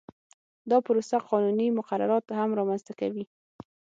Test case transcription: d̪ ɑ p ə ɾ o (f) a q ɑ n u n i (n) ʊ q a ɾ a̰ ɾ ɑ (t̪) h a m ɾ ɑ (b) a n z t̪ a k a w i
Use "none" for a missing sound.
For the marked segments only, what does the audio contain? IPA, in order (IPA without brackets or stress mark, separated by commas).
s, m, t̪, m